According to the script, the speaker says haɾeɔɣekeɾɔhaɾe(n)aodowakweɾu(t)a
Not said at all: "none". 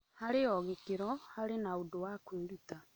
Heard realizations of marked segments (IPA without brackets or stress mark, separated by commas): n, t